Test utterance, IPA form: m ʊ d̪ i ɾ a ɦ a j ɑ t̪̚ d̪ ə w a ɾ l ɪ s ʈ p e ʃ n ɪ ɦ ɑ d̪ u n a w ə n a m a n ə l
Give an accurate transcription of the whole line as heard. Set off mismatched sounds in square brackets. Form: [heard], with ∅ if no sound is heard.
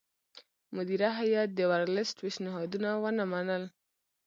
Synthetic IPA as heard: m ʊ d̪ i ɾ a ɦ a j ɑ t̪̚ d̪ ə w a ɾ l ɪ s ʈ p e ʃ n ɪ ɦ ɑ d̪ u n a w ə n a m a n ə l

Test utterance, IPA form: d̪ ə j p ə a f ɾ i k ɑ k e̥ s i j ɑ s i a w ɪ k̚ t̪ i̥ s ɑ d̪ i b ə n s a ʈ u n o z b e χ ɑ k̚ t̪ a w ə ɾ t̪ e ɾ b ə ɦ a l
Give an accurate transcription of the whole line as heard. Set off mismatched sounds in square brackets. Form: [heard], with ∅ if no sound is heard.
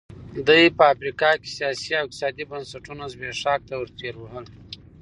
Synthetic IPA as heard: d̪ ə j p ə a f ɾ i k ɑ k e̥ s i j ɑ s i a w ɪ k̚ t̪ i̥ s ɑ d̪ i b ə n s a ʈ u n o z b e [ʂ] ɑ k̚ t̪ a w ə ɾ t̪ e ɾ [w] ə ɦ [ə] l

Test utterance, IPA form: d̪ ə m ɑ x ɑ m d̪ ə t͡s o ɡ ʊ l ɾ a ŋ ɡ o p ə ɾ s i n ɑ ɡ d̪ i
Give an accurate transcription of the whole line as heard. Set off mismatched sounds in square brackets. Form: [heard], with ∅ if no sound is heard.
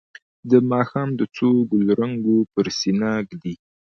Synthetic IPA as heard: d̪ ə m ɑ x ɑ m d̪ ə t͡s o ɡ ʊ l ɾ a ŋ ɡ o p ə ɾ s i n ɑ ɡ d̪ i

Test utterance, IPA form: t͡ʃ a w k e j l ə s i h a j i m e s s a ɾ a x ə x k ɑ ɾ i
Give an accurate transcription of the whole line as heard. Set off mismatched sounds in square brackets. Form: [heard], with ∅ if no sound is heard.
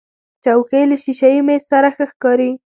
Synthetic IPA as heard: t͡ʃ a w k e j l ə [ʃ] i [ʃ] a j i m e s s a ɾ a x ə x k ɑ ɾ i

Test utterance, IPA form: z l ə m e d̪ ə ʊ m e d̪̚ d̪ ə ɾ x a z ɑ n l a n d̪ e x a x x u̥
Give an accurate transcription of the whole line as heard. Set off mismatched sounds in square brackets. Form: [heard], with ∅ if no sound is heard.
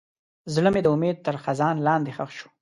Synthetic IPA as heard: z l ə m e d̪ ə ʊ m e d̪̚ [t̪] ə ɾ x a z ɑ n l [ɑ] n d̪ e x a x [ʃ] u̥

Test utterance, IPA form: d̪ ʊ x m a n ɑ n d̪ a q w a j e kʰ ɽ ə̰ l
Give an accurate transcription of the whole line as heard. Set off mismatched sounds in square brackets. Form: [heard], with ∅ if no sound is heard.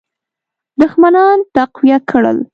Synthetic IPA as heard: d̪ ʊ x m a n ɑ n [t̪] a q w [i] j [a] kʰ ɽ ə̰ l

